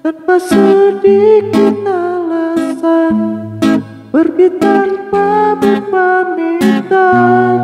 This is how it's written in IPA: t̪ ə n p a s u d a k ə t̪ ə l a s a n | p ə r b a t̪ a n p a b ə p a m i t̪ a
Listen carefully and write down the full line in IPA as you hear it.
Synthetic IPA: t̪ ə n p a s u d i k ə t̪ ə l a s a n | b ə r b i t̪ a n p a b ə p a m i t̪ a